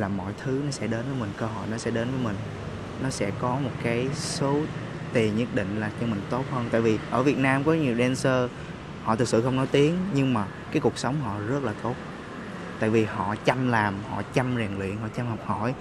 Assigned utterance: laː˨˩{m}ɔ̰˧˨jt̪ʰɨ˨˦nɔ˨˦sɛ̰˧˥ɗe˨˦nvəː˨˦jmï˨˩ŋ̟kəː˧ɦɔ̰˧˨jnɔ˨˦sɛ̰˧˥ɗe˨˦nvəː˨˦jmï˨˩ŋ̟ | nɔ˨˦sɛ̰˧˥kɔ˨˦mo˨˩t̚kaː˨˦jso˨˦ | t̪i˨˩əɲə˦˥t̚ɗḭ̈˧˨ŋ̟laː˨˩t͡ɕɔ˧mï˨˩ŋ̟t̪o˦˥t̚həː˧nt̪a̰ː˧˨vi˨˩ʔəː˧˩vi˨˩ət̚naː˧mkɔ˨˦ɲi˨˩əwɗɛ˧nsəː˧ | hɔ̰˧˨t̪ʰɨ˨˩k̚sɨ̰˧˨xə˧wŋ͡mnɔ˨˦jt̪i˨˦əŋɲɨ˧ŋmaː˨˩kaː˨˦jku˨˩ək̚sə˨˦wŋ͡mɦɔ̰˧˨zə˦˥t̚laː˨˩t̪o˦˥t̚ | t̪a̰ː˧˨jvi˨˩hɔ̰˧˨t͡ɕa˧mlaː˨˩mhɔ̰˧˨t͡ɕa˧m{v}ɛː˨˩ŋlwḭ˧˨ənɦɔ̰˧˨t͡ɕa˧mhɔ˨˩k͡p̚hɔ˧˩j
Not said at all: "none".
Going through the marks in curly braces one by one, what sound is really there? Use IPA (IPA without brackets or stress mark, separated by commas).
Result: m, z